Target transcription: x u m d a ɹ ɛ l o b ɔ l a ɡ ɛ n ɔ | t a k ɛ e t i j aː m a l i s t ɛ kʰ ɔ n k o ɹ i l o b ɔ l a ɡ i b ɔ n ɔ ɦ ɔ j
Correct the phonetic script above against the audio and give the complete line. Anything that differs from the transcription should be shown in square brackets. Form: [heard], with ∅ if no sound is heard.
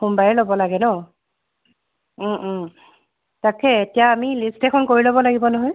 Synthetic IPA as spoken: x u m [b] a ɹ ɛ l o b ɔ l a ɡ ɛ n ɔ | t a k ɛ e t i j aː m [i] l i s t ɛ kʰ ɔ n k o ɹ i l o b ɔ l a ɡ i b ɔ n ɔ ɦ ɔ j